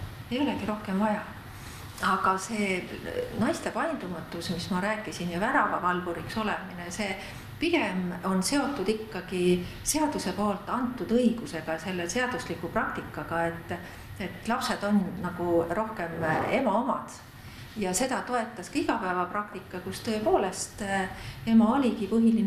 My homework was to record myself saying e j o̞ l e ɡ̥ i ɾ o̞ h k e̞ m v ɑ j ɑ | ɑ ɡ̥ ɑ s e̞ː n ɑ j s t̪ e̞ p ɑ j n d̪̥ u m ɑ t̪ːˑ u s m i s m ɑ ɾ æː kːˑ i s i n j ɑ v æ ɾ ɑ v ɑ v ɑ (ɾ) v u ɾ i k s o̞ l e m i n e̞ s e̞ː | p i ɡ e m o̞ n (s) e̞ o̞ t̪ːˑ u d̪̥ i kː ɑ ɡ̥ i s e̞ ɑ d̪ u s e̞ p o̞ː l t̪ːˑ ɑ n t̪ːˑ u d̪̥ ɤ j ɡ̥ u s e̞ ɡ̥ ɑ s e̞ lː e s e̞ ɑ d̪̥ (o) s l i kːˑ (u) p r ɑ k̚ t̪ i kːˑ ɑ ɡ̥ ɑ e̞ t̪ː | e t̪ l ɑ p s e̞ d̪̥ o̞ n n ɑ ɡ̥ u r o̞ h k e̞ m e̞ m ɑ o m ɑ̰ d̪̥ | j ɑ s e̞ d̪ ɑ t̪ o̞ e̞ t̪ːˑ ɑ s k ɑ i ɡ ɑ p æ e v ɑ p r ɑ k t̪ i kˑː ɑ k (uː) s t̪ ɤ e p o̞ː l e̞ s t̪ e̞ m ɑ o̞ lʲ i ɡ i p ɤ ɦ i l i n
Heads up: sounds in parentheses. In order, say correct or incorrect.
incorrect, correct, incorrect, correct, incorrect

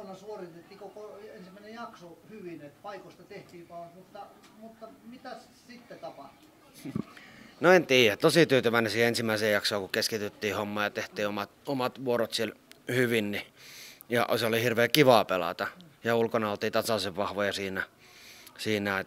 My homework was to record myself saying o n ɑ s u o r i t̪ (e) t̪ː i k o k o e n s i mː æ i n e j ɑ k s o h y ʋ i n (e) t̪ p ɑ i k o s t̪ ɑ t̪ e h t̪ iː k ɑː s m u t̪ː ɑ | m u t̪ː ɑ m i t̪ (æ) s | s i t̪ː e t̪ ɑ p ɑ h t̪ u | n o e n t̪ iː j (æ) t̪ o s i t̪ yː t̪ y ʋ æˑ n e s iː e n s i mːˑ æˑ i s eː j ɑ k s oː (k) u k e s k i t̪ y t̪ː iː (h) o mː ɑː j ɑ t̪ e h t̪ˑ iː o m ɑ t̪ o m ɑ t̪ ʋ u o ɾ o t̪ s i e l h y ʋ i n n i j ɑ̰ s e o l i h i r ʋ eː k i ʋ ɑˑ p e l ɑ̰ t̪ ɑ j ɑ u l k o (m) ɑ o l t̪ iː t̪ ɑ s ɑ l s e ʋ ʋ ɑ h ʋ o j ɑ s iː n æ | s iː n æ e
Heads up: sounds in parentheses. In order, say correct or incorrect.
correct, correct, correct, correct, correct, correct, incorrect

